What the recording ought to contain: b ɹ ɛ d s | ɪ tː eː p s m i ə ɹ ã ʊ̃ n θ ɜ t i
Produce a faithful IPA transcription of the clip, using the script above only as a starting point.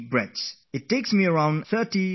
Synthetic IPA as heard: b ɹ ɛ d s | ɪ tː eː k s m i ə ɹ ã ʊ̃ n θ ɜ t i